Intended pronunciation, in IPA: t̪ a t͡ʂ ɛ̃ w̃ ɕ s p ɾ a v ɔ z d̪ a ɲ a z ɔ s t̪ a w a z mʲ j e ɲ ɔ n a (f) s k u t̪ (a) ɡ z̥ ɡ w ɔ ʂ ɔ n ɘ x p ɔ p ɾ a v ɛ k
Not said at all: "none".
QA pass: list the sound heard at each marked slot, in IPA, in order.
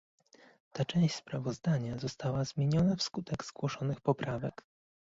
f, ɛ

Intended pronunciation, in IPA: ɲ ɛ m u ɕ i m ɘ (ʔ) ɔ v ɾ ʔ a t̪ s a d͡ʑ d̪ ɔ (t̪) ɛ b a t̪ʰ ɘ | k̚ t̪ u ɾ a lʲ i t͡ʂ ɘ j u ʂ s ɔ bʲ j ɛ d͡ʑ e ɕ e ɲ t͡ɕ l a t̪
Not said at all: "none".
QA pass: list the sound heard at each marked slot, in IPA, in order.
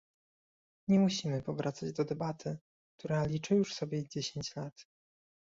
p, d̪

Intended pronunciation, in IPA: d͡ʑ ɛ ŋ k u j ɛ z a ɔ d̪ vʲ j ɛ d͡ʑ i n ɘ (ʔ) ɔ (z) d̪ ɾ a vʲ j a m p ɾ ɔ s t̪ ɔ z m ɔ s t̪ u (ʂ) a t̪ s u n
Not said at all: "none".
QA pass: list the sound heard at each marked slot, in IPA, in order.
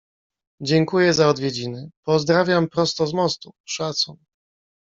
p, z, ʂ

